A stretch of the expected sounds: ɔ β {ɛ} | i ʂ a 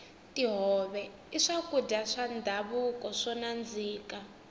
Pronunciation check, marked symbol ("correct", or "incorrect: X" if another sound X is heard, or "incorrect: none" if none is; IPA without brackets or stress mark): correct